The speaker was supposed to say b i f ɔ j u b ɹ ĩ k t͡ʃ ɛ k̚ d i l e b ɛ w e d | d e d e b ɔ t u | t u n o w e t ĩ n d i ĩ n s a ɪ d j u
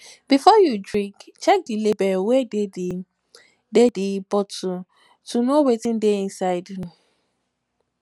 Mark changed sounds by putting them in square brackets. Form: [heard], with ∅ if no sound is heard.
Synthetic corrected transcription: b i f ɔ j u [d] ɹ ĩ k t͡ʃ ɛ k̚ d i l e b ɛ w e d | d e d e b ɔ t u | t u n o w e t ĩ n d [e] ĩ n s a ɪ d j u